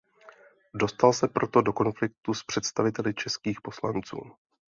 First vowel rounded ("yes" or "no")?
yes